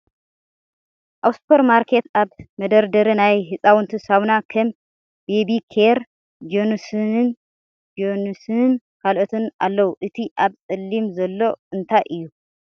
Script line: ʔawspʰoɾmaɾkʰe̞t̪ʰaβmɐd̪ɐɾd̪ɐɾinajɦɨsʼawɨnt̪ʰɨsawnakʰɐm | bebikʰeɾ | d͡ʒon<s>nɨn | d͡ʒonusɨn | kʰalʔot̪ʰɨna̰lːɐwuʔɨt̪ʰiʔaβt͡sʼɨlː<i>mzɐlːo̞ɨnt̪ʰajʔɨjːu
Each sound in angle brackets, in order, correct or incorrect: correct, correct

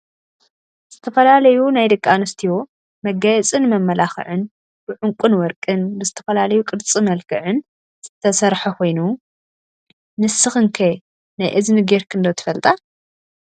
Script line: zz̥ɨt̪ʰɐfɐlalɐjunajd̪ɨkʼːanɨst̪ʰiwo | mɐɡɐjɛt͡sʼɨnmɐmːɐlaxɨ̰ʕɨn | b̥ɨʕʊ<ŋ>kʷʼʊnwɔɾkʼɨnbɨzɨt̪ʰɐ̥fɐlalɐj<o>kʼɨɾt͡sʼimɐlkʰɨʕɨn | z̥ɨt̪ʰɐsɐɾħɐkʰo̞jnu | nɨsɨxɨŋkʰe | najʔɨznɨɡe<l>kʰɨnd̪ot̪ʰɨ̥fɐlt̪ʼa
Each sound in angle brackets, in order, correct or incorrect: correct, incorrect: u, incorrect: ɾ

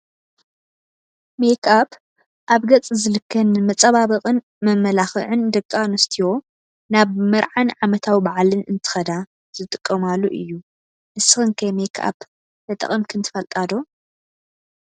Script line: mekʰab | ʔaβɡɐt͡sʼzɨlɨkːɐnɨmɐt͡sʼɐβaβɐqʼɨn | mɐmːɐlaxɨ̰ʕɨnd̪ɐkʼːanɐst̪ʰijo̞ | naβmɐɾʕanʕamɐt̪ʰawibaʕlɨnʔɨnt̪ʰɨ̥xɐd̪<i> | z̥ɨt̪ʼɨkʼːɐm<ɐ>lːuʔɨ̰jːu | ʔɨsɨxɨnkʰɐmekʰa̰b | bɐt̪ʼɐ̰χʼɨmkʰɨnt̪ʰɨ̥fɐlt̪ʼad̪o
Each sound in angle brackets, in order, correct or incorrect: incorrect: a, incorrect: a

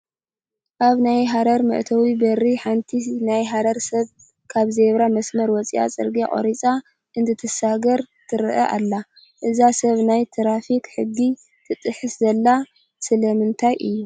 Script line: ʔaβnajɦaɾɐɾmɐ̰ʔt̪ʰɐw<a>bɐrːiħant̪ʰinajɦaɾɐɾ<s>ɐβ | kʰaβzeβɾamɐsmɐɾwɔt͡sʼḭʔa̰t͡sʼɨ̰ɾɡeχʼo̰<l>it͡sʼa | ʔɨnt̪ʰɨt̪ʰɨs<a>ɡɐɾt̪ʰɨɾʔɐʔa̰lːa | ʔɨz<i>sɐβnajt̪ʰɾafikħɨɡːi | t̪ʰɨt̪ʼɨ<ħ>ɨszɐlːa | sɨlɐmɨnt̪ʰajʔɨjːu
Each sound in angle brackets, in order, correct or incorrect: incorrect: i, correct, incorrect: ɾ, correct, incorrect: a, correct

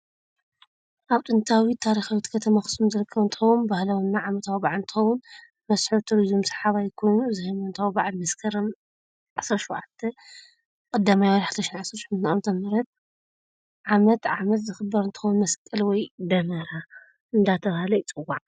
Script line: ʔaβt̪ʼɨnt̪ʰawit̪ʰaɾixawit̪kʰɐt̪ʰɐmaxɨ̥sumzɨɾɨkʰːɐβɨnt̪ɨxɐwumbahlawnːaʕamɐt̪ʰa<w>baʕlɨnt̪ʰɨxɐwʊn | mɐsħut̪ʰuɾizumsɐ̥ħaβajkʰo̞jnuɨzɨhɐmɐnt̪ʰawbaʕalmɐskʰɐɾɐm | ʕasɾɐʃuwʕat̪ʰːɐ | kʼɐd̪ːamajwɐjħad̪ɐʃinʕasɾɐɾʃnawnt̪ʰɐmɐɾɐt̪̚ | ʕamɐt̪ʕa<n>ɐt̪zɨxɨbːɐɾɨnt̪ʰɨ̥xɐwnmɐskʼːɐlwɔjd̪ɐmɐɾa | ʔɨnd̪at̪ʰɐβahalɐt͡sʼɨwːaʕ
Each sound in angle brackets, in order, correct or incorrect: correct, incorrect: m

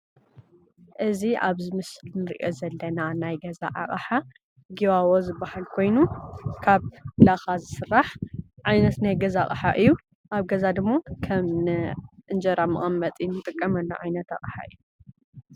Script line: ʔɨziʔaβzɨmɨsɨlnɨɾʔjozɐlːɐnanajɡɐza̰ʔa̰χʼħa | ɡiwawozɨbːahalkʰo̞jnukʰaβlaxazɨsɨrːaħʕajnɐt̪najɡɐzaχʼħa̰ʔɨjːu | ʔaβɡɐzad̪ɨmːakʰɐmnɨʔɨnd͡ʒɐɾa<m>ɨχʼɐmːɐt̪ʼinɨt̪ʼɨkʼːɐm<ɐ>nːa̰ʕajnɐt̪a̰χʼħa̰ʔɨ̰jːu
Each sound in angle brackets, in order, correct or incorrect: correct, correct

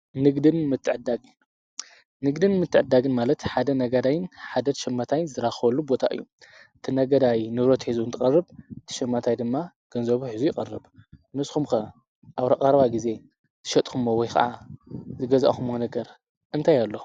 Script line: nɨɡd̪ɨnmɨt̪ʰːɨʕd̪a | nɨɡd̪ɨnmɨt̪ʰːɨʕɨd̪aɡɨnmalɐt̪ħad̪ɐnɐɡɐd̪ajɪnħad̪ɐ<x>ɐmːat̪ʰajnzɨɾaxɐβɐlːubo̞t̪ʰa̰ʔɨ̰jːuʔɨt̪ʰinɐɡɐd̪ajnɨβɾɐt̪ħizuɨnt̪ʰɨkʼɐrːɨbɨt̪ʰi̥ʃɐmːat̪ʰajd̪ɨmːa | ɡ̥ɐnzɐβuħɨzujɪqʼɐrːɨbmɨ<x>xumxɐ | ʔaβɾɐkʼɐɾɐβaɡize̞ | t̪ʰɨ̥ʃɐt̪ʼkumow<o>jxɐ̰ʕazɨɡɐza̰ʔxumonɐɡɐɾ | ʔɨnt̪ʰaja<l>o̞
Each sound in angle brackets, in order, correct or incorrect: incorrect: ʃ, incorrect: s, incorrect: ɔ, incorrect: lː

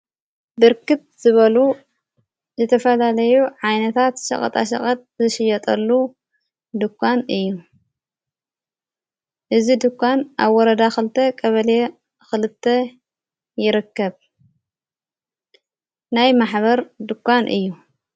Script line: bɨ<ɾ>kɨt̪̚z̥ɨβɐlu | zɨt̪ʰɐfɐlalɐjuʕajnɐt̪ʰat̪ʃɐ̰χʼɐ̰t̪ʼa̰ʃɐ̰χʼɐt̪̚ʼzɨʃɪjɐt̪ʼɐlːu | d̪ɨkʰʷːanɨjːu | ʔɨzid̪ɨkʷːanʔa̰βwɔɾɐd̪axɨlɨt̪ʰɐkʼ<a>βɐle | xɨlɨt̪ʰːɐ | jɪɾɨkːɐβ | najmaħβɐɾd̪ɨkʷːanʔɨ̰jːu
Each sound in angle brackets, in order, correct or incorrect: correct, incorrect: ɐ

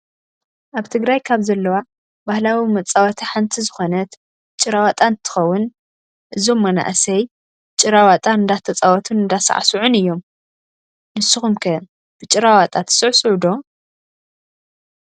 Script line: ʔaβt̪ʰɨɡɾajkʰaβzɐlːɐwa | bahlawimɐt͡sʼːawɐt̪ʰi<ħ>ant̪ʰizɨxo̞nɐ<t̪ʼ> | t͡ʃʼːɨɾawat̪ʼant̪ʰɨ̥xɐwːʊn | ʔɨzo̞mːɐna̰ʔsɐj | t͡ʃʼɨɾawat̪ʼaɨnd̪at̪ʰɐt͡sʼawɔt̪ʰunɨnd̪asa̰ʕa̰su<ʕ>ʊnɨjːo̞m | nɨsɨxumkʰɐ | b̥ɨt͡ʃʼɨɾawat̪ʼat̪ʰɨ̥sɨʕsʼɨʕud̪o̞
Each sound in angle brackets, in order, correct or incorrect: correct, incorrect: t̪, correct

